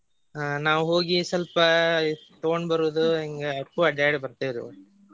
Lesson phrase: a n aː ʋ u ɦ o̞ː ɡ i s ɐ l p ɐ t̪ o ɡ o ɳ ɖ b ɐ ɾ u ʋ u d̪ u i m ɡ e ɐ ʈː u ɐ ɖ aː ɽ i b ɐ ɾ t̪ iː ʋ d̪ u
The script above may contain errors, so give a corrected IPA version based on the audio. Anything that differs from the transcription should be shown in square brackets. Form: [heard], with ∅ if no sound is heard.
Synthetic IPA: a n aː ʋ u ɦ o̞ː ɡ i s ɐ l p ɐ t̪ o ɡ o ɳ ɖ b ɐ ɾ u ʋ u d̪ u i [ŋ] ɡ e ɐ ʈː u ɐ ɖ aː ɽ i b ɐ ɾ t̪ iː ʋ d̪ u